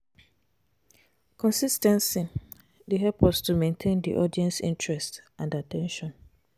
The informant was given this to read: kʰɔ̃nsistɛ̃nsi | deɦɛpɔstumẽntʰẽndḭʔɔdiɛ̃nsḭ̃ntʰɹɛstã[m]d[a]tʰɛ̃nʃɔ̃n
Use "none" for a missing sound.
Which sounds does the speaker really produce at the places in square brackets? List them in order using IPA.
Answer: n, a

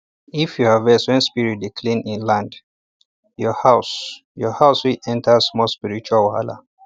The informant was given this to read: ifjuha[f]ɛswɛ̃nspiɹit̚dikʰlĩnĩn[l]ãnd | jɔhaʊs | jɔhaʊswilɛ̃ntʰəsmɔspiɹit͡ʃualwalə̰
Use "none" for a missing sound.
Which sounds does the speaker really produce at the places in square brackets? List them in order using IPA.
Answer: v, l

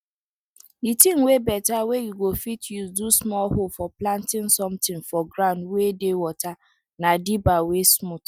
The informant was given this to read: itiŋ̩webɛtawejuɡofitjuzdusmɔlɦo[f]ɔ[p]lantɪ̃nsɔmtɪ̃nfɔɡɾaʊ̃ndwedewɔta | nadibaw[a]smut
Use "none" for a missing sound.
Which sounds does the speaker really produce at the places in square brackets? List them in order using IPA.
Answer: f, p, e

